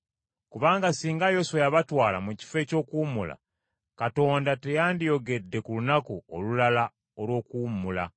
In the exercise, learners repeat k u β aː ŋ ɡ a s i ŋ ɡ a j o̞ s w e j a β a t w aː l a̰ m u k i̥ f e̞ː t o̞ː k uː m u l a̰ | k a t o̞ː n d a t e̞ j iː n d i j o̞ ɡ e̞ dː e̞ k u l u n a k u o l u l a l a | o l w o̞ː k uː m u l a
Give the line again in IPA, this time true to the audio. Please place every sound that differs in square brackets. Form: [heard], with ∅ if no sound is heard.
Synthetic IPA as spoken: k u β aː ŋ ɡ a s [iː] ŋ ɡ a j o̞ s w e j a β a t w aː l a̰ m u [c] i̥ f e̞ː [c] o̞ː k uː m u l a̰ | k a t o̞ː n d a t e̞ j [aː] n d i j o̞ ɡ e̞ dː e̞ k u l u n a k u o l u l a l a | o l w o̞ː k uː m u l a